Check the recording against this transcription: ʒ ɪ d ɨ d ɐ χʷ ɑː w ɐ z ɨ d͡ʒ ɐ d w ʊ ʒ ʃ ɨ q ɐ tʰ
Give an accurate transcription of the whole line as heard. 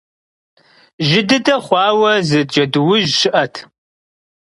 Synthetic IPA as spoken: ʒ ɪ d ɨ d ɐ χʷ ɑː w ɐ z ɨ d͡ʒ ɐ d w ʊ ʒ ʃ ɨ ʔ ɐ tʰ